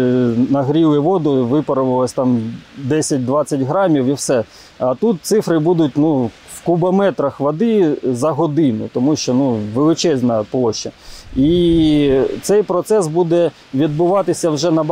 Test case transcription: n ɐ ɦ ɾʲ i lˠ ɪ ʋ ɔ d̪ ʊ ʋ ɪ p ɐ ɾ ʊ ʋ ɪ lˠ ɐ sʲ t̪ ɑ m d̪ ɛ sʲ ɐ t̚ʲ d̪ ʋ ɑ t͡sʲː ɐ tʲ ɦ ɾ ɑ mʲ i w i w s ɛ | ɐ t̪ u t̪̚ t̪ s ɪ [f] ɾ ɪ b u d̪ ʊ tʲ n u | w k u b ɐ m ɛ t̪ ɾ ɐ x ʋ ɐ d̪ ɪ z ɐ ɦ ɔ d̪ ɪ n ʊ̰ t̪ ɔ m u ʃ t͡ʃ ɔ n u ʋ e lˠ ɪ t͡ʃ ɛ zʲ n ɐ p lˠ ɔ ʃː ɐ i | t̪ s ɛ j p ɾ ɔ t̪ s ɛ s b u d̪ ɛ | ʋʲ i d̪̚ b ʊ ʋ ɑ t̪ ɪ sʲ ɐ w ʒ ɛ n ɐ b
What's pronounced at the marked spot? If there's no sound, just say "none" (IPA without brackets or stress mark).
f